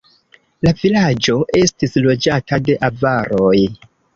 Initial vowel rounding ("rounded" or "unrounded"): unrounded